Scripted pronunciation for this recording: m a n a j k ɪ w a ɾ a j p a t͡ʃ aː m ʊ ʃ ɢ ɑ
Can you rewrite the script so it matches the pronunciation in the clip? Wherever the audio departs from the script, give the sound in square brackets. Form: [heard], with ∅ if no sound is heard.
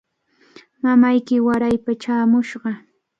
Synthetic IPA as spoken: m a [m] a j k ɪ w a ɾ a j p a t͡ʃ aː m ʊ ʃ ɢ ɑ